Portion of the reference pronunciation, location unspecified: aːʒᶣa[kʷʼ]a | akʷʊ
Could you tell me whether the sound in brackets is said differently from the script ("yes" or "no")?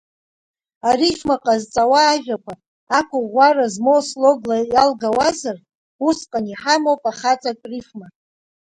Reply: yes